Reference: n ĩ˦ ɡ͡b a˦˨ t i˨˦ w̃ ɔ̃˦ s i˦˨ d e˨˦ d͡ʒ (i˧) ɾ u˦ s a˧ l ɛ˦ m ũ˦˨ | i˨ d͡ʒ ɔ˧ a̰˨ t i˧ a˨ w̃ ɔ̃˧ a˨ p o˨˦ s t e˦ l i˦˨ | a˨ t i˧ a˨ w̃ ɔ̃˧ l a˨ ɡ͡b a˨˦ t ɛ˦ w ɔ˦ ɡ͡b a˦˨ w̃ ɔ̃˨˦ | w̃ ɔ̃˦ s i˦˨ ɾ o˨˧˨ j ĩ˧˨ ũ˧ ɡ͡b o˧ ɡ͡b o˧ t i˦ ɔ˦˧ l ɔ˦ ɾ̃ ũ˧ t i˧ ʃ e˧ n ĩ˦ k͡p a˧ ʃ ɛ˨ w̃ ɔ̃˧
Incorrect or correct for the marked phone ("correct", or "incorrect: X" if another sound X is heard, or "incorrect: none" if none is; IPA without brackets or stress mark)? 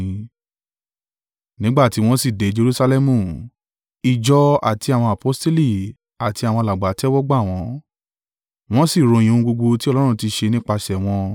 incorrect: e˧